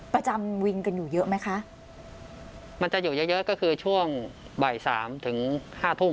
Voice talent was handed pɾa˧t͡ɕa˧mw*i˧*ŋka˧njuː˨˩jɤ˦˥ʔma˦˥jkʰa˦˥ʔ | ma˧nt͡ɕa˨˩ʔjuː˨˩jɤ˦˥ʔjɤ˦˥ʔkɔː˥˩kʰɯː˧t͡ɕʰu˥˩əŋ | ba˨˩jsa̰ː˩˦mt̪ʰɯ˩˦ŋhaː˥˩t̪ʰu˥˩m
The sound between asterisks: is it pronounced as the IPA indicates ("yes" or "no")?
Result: yes